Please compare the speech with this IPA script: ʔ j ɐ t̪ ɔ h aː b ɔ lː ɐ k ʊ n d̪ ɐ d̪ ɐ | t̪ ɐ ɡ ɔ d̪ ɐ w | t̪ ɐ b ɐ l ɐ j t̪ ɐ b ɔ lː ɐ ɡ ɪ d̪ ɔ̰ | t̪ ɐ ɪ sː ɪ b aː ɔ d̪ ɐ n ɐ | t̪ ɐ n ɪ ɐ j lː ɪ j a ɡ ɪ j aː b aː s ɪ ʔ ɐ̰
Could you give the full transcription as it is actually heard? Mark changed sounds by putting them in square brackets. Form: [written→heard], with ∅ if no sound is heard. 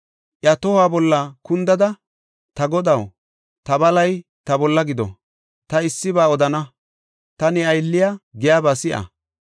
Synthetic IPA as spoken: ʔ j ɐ t̪ ɔ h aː b ɔ lː ɐ k ʊ n d̪ ɐ d̪ ɐ | t̪ ɐ ɡ ɔ d̪ ɐ w | t̪ ɐ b ɐ l ɐ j t̪ ɐ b ɔ lː ɐ ɡ ɪ d̪ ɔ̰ | t̪ ɐ ɪ sː ɪ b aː ɔ d̪ ɐ n ɐ | t̪ ɐ n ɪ ɐ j lː ɪ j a ɡ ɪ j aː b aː s ɪ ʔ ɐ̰

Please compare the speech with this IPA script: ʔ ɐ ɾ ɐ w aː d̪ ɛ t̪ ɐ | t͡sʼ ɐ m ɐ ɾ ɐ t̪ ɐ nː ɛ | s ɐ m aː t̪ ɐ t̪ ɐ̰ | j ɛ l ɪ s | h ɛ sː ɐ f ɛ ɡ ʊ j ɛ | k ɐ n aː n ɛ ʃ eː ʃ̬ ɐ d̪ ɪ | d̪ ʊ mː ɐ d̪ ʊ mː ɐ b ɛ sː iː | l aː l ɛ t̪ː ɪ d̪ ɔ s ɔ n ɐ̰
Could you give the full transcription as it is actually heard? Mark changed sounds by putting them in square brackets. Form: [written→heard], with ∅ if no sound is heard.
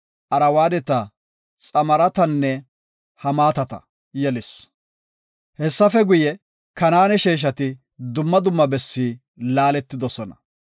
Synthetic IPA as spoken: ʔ ɐ ɾ ɐ w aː d̪ ɛ t̪ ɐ | t͡sʼ ɐ m ɐ ɾ ɐ t̪ ɐ nː ɛ | [s→h] ɐ m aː t̪ ɐ t̪ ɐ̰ | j ɛ l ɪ s | h ɛ sː ɐ f ɛ ɡ ʊ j ɛ | k ɐ n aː n ɛ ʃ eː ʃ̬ ɐ [d̪→t̪] ɪ | d̪ ʊ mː ɐ d̪ ʊ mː ɐ b ɛ sː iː | l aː l ɛ t̪ː ɪ d̪ ɔ s ɔ n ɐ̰

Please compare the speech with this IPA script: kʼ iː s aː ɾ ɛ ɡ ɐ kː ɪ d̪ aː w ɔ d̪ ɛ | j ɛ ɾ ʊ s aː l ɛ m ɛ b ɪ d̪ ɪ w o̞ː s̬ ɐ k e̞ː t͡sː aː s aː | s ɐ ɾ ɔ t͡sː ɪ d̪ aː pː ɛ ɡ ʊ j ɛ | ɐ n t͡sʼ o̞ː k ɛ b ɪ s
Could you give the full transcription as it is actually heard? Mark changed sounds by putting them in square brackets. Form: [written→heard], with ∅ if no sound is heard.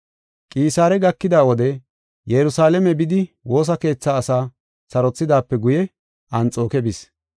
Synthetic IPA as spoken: kʼ iː s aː ɾ ɛ ɡ ɐ kː ɪ d̪ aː w ɔ d̪ ɛ | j ɛ ɾ ʊ s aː l ɛ m ɛ b ɪ d̪ ɪ w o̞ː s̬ ɐ k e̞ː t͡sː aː s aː | s ɐ ɾ ɔ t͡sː ɪ d̪ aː pː ɛ ɡ ʊ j ɛ | ɐ n t͡sʼ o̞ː k ɛ b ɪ s

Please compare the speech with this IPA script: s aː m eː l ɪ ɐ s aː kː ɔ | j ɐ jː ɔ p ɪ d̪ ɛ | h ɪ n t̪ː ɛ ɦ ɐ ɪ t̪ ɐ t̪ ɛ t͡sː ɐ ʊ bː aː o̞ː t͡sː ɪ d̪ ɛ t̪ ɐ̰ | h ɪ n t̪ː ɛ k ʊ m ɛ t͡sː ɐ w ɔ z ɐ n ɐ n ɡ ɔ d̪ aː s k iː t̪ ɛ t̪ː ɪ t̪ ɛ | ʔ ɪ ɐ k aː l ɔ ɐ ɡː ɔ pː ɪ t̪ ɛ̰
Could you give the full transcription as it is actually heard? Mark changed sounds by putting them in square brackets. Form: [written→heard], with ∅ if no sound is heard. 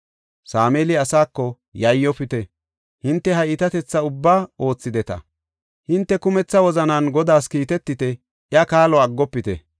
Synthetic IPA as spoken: s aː m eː l ɪ ɐ s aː kː ɔ | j ɐ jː ɔ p ɪ [d̪→t̪] ɛ | h ɪ n t̪ː ɛ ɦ ɐ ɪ t̪ ɐ t̪ ɛ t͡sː ɐ ʊ bː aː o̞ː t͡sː ɪ d̪ ɛ t̪ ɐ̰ | h ɪ n t̪ː ɛ k ʊ m ɛ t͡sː ɐ w ɔ z ɐ n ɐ n ɡ ɔ d̪ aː s k iː t̪ ɛ t̪ː ɪ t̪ ɛ | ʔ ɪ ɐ k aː l ɔ ɐ ɡː ɔ pː ɪ t̪ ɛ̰

